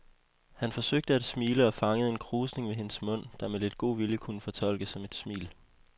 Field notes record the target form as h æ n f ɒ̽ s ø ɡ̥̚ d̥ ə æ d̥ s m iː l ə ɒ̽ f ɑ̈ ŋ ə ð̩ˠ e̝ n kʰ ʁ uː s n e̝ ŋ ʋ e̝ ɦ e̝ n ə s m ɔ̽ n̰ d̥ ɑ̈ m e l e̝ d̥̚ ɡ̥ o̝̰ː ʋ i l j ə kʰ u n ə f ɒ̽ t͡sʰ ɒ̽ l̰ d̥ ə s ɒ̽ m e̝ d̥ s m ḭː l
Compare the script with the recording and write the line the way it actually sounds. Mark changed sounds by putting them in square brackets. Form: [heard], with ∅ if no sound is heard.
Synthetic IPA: h æ n f ɒ̽ s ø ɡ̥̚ d̥ ə æ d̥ s m iː l ə ɒ̽ f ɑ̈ ŋ ə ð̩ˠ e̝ n kʰ ʁ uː s n e̝ ŋ ʋ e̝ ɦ e̝ n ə s m ɔ̽ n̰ d̥ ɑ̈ m e l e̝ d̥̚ ɡ̥ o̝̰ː ʋ i l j ə kʰ u n ə f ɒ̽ t͡sʰ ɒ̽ l̰ [ɡ̥] ə s ɒ̽ m e̝ d̥ s m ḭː l